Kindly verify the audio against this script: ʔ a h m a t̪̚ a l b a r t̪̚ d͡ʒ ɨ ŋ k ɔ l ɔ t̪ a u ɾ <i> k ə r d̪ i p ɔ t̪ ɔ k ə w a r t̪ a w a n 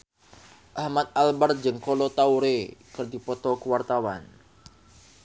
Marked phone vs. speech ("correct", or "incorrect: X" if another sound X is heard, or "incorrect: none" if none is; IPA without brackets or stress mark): incorrect: e